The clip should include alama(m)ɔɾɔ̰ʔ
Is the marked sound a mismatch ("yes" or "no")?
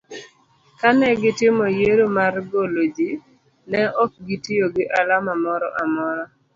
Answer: no